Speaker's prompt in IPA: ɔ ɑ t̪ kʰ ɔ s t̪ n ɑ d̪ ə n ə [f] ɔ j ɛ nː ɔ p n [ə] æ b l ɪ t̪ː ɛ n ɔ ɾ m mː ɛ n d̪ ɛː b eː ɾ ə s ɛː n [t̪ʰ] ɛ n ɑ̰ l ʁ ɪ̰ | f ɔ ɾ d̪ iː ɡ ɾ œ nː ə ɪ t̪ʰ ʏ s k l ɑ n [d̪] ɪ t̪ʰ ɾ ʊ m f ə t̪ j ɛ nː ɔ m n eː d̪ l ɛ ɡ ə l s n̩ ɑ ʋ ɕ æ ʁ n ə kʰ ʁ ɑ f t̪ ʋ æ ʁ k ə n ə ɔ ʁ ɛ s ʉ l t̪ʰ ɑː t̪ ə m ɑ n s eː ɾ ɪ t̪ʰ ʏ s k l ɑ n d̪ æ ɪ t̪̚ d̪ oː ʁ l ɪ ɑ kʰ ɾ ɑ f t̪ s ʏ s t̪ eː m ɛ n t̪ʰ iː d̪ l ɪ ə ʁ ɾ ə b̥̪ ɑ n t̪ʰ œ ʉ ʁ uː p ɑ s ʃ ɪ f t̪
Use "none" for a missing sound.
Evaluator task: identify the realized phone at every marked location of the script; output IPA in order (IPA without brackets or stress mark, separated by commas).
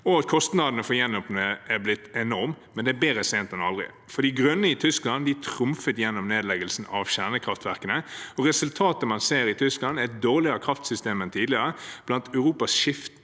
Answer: f, ə, t̪, d̪